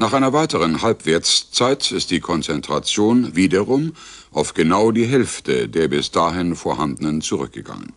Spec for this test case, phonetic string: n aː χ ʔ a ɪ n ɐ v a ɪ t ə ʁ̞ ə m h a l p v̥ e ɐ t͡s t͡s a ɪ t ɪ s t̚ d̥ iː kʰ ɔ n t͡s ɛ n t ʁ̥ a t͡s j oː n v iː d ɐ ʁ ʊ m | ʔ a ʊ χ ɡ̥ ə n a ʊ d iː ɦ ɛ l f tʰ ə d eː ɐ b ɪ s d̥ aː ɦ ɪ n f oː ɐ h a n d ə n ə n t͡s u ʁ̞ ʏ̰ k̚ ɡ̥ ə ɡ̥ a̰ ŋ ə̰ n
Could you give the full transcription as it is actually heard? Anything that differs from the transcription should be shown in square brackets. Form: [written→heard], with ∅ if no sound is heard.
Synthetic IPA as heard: n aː χ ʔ a ɪ n ɐ v a ɪ t ə ʁ̞ ə [m→n] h a l p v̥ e ɐ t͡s t͡s a ɪ t ɪ s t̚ d̥ iː kʰ ɔ n t͡s ɛ n t ʁ̥ a t͡s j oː n v iː d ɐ ʁ ʊ m | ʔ a ʊ [χ→f] ɡ̥ ə n a ʊ d iː ɦ ɛ l f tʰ ə d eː ɐ b ɪ s d̥ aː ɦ ɪ n f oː ɐ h a n d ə n ə n t͡s u ʁ̞ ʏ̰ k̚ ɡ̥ ə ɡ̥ a̰ ŋ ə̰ n